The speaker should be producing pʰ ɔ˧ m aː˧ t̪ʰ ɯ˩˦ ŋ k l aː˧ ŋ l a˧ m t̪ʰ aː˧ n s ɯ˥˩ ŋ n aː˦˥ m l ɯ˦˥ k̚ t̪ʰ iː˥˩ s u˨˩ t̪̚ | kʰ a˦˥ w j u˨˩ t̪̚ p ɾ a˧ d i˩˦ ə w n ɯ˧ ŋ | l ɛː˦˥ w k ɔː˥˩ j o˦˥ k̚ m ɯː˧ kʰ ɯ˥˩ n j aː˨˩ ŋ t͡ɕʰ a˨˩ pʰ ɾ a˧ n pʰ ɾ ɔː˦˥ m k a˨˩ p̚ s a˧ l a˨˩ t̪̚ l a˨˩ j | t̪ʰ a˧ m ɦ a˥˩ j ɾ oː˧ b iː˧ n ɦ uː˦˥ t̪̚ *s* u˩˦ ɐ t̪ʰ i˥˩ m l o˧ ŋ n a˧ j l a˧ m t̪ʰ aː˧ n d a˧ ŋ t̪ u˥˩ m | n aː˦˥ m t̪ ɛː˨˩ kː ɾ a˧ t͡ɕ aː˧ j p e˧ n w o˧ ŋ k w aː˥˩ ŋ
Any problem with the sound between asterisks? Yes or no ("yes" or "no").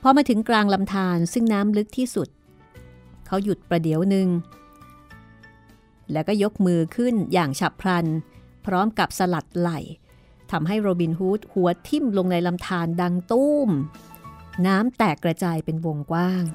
yes